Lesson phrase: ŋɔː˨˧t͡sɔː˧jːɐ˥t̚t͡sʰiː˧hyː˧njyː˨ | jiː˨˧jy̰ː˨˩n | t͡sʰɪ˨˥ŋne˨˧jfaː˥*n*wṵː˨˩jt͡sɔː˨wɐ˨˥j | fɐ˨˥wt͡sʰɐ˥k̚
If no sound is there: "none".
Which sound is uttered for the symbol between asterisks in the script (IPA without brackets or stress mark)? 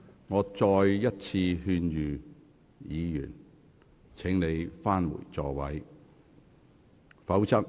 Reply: n